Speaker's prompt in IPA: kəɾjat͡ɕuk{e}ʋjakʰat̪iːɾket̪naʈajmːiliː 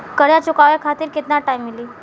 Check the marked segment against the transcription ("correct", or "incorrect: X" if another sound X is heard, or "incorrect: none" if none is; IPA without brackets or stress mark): incorrect: a